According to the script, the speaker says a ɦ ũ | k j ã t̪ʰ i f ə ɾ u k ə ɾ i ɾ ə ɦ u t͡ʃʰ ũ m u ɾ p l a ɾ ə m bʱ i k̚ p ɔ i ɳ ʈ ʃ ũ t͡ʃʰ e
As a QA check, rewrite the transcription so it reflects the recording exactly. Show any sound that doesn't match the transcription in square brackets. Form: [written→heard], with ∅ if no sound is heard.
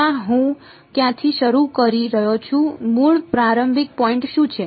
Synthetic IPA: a ɦ ũ | k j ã t̪ʰ i [f→ʃ] ə ɾ u k ə ɾ i ɾ ə ɦ [u→o] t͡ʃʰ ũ m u [ɾ→ɭ] p [l→ɾ] a ɾ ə m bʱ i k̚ p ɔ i ɳ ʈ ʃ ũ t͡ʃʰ e